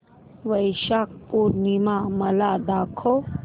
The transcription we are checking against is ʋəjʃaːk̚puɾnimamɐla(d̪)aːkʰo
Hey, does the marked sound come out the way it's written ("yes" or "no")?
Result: yes